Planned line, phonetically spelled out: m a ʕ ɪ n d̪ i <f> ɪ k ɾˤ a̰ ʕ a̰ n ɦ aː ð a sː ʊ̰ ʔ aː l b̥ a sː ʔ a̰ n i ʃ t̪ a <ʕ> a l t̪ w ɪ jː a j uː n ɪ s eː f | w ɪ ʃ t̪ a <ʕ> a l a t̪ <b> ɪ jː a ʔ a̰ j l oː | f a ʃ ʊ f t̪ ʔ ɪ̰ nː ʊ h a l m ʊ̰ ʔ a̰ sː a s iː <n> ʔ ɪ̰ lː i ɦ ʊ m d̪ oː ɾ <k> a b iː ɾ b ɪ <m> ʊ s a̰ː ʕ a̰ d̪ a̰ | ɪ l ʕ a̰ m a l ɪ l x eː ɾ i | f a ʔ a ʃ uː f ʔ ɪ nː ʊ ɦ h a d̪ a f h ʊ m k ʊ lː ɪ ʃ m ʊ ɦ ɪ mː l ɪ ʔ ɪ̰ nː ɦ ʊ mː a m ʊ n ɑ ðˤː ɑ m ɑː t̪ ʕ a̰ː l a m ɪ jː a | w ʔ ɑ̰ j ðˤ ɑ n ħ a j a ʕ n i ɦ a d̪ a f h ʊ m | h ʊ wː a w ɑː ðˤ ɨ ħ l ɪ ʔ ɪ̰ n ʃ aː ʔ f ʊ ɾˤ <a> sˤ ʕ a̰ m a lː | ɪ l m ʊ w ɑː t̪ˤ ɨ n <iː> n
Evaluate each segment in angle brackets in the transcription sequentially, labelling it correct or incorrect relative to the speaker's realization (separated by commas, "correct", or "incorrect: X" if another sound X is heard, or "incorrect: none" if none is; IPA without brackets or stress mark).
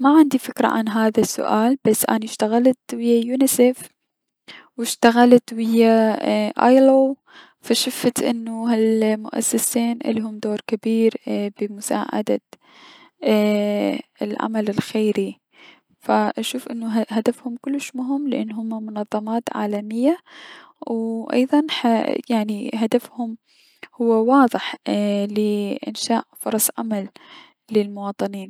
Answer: correct, incorrect: ɣ, incorrect: ɣ, incorrect: w, correct, correct, correct, incorrect: ɑ, correct